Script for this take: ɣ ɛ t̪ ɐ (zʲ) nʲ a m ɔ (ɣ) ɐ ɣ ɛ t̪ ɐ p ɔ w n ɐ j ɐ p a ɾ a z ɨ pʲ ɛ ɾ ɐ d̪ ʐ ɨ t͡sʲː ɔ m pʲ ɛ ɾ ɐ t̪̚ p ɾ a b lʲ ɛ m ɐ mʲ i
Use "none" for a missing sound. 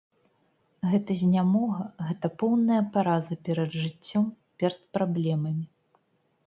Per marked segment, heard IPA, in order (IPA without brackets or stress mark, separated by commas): zʲ, ɣ